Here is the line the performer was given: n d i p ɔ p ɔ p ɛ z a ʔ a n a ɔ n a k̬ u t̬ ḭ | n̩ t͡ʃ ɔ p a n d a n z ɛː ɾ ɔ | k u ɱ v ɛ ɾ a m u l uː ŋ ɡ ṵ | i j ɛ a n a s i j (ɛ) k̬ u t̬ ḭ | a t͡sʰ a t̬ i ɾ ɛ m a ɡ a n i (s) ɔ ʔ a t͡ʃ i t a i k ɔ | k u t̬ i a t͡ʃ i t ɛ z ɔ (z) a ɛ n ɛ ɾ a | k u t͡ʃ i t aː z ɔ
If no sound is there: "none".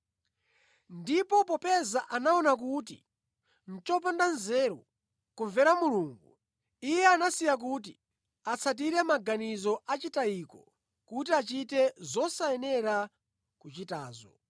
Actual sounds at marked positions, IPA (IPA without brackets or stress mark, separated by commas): a, z, s